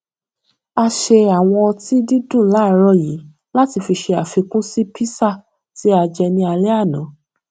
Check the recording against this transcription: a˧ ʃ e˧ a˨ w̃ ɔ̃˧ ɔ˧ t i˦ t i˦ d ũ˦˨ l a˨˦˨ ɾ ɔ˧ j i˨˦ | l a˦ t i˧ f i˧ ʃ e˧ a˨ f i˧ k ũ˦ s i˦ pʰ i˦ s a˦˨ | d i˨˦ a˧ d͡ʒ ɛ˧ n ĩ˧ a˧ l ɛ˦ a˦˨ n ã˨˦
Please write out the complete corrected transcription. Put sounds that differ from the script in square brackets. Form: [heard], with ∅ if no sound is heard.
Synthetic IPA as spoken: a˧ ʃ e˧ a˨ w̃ ɔ̃˧ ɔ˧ t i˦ [d] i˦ d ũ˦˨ l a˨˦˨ ɾ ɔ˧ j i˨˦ | l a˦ t i˧ f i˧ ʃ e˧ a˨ f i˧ k ũ˦ s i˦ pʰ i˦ s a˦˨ | [t] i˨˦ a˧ d͡ʒ ɛ˧ n ĩ˧ a˧ l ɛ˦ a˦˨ n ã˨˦